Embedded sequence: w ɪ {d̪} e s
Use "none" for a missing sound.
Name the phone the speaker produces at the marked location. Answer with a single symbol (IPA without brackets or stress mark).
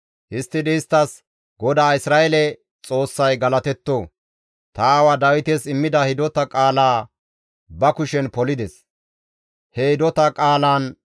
t̪